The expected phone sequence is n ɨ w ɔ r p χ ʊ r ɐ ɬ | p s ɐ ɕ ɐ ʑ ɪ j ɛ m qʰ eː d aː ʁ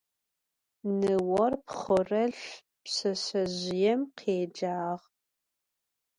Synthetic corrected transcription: n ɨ w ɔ r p χ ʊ r ɐ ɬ | p s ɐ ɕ ɐ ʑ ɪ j ɛ m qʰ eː d͡ʒ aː ʁ

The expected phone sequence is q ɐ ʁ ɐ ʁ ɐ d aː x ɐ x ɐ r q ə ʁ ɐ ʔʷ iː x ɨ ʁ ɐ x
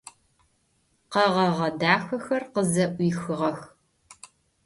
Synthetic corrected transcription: q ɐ ʁ ɐ ʁ ɐ d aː x ɐ x ɐ r q ə z ɐ ʔʷ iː x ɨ ʁ ɐ x

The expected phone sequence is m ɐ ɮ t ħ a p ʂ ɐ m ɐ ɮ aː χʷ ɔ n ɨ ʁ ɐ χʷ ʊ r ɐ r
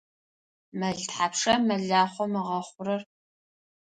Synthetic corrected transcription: m ɐ ɮ t ħ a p ʂ ɐ m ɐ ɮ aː χʷ ɔ m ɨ ʁ ɐ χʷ ʊ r ɐ r

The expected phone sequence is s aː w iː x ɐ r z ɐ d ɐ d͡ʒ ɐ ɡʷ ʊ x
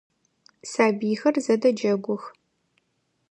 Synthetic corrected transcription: s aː b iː x ɐ r z ɐ d ɐ d͡ʒ ɐ ɡʷ ʊ x

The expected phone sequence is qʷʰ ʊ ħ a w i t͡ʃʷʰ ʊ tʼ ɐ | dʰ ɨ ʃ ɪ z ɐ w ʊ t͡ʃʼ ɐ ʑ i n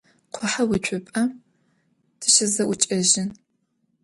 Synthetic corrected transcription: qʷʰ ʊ ħ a w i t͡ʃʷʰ ʊ pʼ ɐ | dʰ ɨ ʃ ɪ z ɐ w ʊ t͡ʃʼ ɐ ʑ ɪ n

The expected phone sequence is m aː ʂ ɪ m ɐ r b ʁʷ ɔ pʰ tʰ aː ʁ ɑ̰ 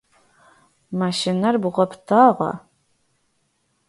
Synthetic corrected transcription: m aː ʃ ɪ n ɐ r b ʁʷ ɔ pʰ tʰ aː ʁ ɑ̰

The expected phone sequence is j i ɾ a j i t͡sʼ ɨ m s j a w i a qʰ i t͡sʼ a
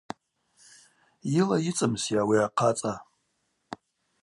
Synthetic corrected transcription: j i l a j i t͡sʼ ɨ m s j a w i a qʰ a t͡sʼ a

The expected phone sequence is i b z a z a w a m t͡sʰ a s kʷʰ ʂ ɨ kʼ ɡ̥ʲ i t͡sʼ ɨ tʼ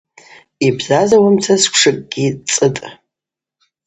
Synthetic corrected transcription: i b z a z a w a m t͡sʰ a s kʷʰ ʂ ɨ kʼ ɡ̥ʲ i t͡sʼ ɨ tʼ

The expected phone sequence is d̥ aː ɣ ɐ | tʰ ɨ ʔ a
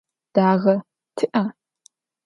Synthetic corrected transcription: d̥ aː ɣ ɐ | tʰ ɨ ʔ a

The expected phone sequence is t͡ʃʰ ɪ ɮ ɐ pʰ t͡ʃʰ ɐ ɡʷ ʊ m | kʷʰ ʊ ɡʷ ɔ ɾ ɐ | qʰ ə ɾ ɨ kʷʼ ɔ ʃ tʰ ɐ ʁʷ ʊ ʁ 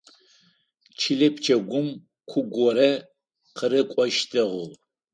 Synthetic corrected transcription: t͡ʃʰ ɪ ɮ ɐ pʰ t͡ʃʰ ɐ ɡʷ ʊ m | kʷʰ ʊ ɡʷ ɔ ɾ ɐ | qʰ ə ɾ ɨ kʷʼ ɔ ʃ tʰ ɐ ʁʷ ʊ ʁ

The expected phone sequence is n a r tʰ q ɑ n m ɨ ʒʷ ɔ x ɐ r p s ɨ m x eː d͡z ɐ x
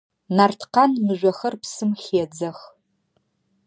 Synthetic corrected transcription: n a r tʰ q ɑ n m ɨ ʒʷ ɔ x ɐ r p s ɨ m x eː d͡z ɐ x

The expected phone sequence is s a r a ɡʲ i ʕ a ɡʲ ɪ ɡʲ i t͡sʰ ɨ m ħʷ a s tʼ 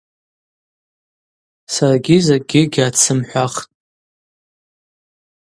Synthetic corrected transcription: s a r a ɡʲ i z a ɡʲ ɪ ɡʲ a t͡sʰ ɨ m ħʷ a χ tʼ

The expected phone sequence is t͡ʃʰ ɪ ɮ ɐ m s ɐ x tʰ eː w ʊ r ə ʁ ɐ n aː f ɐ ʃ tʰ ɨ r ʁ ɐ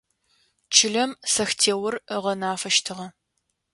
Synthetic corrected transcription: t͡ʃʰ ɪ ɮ ɐ m s ɐ x tʰ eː w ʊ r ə ʁ ɐ n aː f ɐ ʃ tʰ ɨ ʁ ɐ

